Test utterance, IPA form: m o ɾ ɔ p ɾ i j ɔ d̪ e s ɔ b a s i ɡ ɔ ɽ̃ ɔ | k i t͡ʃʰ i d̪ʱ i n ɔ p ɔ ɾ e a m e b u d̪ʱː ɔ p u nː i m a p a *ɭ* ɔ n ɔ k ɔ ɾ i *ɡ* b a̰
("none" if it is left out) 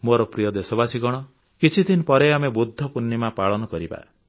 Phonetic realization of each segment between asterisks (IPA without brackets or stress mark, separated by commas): ɭ, none